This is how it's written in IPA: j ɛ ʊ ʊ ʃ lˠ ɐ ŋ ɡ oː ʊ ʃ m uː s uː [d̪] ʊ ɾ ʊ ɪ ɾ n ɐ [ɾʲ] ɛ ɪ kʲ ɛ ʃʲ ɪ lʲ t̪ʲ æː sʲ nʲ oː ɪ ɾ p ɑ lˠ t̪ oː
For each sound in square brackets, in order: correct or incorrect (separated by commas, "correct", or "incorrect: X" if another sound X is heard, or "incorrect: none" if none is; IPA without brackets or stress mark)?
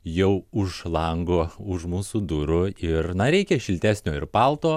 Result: correct, correct